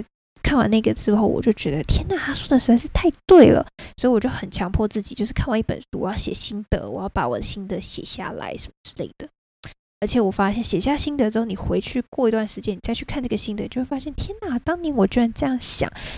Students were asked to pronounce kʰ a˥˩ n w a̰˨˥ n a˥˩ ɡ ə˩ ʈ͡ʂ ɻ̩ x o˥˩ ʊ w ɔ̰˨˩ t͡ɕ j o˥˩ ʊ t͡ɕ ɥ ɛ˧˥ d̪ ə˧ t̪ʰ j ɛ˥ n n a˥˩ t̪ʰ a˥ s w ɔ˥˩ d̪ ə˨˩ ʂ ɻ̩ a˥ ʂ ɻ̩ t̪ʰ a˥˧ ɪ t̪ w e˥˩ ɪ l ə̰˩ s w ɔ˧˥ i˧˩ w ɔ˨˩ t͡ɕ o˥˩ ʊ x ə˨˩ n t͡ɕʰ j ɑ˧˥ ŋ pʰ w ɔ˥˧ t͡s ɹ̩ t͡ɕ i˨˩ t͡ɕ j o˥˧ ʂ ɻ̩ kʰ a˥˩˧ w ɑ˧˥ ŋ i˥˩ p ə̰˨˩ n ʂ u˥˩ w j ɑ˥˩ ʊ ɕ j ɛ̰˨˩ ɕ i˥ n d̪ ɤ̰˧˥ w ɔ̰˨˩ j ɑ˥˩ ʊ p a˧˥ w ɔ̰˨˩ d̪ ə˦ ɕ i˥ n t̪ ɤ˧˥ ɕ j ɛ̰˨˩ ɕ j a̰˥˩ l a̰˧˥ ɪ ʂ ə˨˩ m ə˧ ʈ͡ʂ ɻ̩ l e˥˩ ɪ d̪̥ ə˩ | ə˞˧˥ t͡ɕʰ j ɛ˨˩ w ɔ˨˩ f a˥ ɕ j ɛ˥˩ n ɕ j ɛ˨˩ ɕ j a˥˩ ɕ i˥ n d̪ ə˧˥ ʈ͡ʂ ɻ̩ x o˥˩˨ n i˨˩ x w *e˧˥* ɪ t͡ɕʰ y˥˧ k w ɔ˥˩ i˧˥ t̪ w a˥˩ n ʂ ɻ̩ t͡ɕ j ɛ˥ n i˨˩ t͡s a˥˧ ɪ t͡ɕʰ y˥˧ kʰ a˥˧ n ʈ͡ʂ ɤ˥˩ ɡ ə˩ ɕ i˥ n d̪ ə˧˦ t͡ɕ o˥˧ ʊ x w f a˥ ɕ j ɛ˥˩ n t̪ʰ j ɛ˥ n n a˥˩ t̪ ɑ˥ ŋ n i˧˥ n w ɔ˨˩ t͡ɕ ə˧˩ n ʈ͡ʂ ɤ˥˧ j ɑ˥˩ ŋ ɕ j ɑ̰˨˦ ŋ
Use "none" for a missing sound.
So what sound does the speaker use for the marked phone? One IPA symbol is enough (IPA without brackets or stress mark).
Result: e˧˥